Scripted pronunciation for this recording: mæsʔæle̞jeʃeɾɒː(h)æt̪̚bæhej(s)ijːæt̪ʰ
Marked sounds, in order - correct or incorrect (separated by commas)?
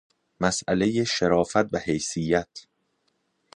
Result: incorrect, correct